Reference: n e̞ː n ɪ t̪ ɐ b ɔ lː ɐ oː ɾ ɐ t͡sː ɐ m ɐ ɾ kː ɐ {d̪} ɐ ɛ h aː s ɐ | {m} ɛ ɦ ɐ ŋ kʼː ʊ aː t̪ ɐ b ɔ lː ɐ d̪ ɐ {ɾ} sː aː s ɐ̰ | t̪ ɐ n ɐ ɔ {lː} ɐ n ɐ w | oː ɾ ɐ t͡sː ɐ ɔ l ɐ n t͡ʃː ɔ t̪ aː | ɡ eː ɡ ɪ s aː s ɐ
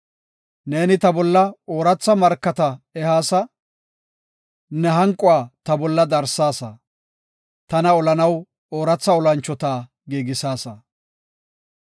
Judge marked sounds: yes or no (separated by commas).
no, no, yes, no